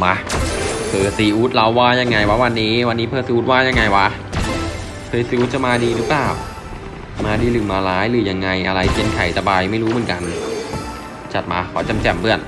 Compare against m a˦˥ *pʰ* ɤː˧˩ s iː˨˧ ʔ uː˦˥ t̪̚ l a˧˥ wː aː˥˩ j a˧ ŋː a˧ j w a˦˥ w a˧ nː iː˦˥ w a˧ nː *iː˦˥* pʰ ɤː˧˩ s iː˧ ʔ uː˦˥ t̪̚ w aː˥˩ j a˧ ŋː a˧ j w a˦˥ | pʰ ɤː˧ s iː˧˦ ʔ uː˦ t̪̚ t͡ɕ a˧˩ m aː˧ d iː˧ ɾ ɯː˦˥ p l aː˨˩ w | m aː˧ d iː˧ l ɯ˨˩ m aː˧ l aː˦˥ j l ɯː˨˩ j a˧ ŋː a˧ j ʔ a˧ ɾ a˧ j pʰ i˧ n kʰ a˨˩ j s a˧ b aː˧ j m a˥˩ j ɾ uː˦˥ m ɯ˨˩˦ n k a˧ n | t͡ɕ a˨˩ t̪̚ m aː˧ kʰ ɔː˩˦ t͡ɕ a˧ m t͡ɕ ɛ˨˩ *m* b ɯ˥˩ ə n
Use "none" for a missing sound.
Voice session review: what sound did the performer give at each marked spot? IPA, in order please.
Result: pʰ, iː˦˥, m

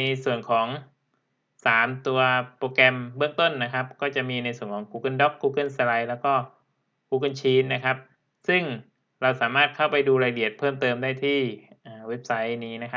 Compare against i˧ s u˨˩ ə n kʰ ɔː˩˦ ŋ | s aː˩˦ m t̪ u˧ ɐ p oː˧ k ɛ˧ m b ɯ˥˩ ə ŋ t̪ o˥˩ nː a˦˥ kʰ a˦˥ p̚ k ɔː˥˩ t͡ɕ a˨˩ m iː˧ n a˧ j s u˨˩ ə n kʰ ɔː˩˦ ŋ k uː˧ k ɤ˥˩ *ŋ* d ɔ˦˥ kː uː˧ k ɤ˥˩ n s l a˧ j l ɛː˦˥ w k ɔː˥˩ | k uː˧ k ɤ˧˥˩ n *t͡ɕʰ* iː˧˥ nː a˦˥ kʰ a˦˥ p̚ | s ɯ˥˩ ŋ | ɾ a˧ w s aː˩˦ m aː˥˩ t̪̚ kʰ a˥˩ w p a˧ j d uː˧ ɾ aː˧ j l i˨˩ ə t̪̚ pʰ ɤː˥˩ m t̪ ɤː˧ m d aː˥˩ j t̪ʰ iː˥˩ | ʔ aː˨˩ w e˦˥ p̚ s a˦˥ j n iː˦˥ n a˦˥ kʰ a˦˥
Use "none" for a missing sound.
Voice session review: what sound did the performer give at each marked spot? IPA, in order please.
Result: n, t͡ɕʰ

